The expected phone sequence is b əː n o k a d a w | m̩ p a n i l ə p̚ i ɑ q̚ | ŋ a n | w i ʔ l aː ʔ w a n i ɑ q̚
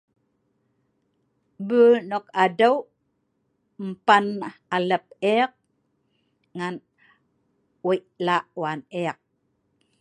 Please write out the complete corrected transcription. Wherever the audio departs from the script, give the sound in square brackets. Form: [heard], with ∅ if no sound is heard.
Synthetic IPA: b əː n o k a d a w | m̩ p a n [a] l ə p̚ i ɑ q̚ | ŋ a n | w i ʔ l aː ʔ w a n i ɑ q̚